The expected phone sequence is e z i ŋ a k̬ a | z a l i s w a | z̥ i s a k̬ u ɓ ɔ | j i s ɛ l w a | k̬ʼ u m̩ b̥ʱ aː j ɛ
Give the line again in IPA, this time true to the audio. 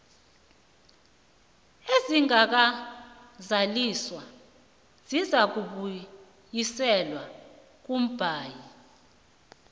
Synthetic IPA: e z i ŋ a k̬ a | z a l i s w a | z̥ i z a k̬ u ɓ u | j i s ɛ l w a | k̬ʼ u m̩ b̥ʱ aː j i